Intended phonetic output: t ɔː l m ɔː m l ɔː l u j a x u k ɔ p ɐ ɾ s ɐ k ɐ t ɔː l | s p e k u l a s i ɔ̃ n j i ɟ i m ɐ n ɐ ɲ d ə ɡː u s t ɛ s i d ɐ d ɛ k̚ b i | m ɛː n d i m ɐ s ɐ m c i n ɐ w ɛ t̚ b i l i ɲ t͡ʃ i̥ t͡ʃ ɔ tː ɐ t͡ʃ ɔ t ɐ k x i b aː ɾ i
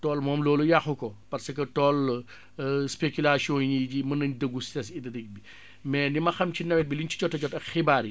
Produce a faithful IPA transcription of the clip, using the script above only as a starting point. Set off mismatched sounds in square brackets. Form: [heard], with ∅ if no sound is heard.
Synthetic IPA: t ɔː l m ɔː m l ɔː l u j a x u k ɔ p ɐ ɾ s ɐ k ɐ t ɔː l | s p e k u l a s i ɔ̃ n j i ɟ i m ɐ n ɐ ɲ d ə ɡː u s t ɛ s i d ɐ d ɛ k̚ b i | m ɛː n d i m ɐ [x] ɐ m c i n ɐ w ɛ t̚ b i l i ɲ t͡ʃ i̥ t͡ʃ ɔ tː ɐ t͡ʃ ɔ t ɐ k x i b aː ɾ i